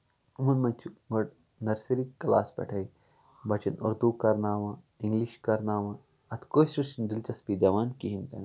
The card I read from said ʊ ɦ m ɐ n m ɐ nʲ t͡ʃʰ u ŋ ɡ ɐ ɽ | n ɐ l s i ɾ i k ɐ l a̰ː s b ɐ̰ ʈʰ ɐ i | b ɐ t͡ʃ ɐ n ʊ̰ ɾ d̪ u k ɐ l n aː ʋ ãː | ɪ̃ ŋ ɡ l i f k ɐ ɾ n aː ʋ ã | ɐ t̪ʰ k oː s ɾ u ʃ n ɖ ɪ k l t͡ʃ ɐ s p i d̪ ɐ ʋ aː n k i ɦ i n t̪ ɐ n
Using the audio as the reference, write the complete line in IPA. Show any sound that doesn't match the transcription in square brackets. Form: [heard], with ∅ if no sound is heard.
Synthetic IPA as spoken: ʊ [∅] m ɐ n m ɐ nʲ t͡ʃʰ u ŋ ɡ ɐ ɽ | n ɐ [ɾ] s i ɾ i k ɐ l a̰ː s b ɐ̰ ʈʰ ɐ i | b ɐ t͡ʃ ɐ n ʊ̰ ɾ d̪ u k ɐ [ɾ] n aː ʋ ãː | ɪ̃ ŋ ɡ l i [ʃ] k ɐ ɾ n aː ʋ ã | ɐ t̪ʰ k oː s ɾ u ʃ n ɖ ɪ [∅] l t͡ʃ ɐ s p i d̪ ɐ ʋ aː n k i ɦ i n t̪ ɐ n